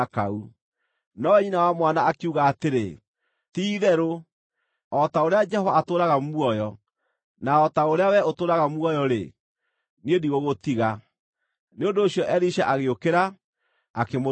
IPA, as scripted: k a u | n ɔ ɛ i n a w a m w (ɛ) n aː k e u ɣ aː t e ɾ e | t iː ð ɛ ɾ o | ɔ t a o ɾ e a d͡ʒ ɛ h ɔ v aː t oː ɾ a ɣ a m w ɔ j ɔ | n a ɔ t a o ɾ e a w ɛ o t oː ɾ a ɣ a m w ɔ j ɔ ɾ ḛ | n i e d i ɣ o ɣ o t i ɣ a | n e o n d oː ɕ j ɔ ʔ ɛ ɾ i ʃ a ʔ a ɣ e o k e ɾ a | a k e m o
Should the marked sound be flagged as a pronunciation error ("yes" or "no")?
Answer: yes